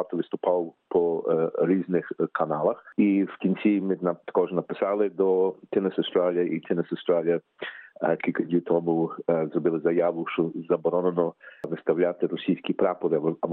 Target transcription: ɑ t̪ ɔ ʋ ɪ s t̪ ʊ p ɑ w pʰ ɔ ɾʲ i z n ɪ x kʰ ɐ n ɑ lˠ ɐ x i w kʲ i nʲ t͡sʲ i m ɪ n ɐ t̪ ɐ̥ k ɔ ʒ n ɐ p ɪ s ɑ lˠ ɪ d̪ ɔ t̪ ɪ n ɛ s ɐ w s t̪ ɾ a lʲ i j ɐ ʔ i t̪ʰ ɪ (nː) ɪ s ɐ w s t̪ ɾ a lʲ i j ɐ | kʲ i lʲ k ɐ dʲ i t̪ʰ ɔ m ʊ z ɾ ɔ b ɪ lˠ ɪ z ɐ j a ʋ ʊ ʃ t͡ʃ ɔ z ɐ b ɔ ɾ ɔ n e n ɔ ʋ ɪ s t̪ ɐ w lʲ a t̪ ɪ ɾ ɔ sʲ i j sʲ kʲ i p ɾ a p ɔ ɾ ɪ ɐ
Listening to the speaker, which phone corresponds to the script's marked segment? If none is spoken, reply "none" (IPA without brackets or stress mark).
n